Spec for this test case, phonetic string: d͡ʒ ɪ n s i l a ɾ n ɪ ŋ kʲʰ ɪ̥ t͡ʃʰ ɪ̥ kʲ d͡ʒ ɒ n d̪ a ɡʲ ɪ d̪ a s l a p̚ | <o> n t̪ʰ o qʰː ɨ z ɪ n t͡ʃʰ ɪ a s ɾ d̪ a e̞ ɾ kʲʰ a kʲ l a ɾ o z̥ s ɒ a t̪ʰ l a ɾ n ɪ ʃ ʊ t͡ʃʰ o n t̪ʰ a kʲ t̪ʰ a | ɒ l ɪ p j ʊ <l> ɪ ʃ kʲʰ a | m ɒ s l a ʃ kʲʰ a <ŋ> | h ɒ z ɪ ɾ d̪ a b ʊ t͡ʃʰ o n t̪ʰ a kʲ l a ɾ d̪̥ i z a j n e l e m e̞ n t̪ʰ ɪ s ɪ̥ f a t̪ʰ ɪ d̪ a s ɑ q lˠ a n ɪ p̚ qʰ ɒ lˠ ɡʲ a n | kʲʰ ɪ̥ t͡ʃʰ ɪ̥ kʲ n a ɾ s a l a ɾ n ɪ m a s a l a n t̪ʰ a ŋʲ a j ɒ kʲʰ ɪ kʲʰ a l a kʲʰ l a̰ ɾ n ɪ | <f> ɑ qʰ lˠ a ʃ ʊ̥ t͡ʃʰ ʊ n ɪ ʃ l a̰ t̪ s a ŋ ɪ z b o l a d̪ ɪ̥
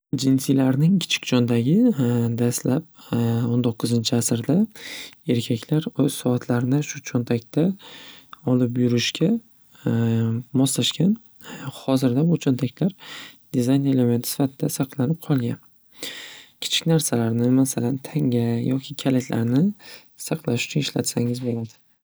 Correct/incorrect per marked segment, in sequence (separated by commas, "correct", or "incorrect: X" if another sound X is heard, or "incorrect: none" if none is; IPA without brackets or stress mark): correct, incorrect: ɾ, incorrect: n, incorrect: s